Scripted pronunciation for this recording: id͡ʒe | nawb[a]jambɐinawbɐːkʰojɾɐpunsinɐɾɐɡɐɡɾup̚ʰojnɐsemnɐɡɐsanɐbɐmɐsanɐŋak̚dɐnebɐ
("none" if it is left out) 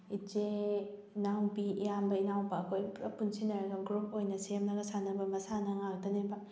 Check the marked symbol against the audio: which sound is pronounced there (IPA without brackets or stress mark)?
i